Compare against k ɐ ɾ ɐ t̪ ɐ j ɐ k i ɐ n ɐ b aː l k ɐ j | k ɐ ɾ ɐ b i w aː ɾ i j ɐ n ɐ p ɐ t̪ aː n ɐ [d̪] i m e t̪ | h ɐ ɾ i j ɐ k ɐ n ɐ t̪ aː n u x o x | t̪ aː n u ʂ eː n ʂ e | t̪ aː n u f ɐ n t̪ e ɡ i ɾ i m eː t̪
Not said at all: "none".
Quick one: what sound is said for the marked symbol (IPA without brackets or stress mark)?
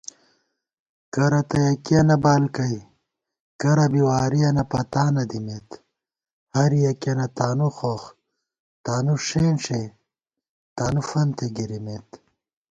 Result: d̪